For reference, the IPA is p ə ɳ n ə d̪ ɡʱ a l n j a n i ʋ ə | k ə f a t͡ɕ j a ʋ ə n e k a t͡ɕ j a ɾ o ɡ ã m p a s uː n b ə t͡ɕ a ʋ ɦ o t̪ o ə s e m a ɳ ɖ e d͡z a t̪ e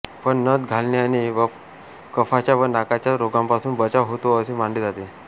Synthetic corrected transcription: p ə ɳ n ə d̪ ɡʱ a l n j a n i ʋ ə | k ə f a t͡ɕ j a ʋ ə n a k a t͡ɕ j a ɾ o ɡ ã m p a s uː n b ə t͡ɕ a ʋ ɦ o t̪ o ə s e m a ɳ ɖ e d͡z a t̪ e